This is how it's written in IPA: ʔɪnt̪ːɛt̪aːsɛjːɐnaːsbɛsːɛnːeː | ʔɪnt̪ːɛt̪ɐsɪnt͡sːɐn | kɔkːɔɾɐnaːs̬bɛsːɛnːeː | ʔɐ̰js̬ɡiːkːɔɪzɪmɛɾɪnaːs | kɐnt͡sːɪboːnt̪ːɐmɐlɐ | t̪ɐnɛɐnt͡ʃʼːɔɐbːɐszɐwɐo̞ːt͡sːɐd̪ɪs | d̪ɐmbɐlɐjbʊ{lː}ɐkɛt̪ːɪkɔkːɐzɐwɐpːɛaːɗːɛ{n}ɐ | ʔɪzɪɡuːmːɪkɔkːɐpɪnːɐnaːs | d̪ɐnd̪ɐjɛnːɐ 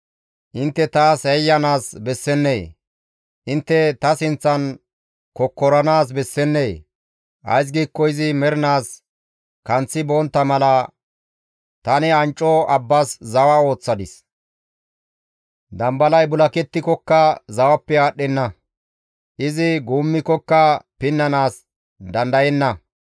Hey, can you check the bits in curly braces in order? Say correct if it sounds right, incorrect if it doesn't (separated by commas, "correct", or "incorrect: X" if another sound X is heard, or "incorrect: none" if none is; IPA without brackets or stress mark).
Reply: incorrect: l, incorrect: nː